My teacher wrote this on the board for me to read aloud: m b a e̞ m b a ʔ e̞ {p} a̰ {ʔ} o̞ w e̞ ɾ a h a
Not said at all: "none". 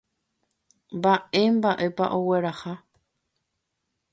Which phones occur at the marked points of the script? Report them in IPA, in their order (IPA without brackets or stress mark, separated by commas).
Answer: p, ʔ